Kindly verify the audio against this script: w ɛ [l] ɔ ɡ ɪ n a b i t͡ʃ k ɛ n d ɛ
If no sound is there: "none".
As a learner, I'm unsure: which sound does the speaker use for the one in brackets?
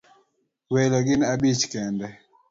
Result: l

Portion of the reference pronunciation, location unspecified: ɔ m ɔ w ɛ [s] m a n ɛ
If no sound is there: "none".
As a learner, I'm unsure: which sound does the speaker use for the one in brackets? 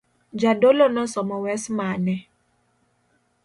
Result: s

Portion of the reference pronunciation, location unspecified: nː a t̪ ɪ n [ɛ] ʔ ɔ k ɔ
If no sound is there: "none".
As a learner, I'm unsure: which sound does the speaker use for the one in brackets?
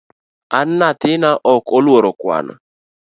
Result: a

